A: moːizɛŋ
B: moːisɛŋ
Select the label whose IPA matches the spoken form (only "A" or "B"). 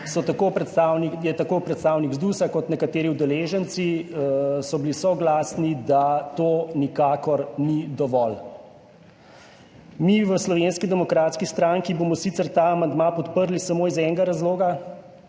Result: A